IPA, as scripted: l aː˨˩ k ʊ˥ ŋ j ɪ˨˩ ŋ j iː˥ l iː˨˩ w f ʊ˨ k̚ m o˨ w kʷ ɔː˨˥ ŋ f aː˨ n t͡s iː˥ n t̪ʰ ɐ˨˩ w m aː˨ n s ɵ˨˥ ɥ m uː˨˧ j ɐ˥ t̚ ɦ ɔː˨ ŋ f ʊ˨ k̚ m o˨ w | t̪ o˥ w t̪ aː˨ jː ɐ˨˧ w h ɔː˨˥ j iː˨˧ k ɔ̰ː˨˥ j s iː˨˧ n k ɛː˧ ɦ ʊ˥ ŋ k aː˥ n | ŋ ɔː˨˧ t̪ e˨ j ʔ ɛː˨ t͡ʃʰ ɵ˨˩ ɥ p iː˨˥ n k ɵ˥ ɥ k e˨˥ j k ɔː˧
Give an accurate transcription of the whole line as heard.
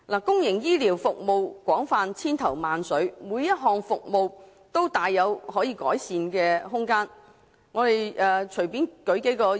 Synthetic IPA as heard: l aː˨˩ k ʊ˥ ŋ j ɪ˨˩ ŋ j iː˥ l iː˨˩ w f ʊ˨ k̚ m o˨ w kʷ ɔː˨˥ ŋ f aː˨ n t͡sʰ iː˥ n t̪ʰ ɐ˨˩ w m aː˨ n s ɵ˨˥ ɥ m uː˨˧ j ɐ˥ t̚ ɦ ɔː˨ ŋ f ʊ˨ k̚ m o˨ w | t̪ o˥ w t̪ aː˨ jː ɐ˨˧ w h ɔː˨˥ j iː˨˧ k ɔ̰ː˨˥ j s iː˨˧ n k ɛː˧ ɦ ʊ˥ ŋ k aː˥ n | ŋ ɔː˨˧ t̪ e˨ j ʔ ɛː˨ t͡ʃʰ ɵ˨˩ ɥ p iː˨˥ n k ɵ˨˥ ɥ k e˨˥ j k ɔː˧